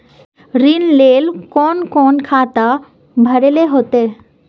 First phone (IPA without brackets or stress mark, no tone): ɾ